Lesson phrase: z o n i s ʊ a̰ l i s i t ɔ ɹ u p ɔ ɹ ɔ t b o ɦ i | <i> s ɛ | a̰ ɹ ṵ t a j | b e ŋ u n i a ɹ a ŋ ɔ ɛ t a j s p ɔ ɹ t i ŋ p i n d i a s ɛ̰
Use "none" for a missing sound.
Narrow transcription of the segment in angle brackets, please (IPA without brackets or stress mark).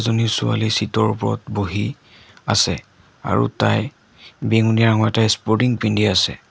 a